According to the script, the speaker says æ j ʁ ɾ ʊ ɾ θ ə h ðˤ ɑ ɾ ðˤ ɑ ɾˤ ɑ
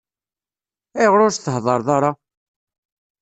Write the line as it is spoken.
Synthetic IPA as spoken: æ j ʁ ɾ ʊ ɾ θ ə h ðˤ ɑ ɾ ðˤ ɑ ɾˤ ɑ

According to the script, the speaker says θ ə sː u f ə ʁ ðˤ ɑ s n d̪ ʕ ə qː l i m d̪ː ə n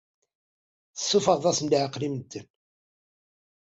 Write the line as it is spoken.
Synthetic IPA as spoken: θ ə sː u f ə ʁ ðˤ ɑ s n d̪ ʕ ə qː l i m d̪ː ə n

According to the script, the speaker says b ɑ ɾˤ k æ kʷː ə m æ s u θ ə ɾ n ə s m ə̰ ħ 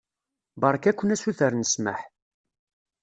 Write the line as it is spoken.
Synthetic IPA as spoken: b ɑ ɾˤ k æ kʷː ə n æ s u θ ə ɾ n ə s m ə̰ ħ

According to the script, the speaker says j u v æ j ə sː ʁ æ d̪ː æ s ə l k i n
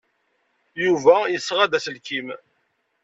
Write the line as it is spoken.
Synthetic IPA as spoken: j u v æ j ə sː ʁ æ d̪ æ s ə l k i m

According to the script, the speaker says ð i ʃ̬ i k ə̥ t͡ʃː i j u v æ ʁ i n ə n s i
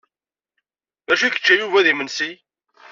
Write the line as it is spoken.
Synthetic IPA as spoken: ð æ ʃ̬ i k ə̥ t͡ʃː æ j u v æ ð i m ə n s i

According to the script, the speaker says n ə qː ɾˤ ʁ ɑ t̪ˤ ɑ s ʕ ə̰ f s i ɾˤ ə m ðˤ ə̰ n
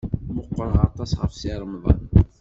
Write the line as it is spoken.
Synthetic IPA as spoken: m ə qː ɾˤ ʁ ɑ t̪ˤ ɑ s ʁ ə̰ f s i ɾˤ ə m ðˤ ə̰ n

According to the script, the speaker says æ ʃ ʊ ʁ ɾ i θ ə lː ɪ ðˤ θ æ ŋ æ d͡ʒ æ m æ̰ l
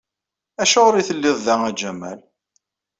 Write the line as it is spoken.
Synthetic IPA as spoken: æ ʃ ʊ ʁ ɾ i θ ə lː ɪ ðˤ ð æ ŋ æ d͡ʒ æ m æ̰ l

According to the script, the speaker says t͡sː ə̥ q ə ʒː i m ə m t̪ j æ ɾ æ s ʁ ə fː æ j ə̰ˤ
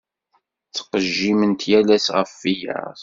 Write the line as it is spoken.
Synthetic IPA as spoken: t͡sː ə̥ q ə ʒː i m ə n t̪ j æ l æ s ʁ ə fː i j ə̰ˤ

